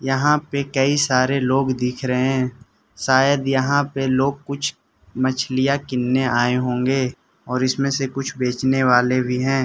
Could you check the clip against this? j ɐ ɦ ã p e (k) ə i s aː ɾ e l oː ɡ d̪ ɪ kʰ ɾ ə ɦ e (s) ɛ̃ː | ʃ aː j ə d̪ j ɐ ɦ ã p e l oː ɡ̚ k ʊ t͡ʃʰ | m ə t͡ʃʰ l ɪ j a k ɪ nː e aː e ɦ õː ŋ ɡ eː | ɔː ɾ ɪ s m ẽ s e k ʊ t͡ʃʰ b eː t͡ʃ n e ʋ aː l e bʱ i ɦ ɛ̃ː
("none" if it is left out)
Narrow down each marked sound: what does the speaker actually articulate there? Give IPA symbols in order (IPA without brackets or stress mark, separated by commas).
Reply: k, none